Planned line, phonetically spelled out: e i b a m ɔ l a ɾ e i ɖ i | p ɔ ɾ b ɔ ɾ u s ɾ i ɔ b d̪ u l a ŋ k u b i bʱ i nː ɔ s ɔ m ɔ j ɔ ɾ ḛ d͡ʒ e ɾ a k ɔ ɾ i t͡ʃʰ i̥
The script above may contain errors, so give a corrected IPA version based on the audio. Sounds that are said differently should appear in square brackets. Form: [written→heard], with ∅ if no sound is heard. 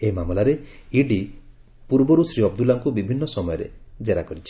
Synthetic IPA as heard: e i [b→m] a m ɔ l a ɾ e i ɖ i | p [ɔ→u] ɾ b ɔ ɾ u s ɾ i ɔ b d̪ u l a ŋ k u b i bʱ i nː ɔ s ɔ m ɔ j ɔ ɾ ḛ d͡ʒ e ɾ a k ɔ ɾ i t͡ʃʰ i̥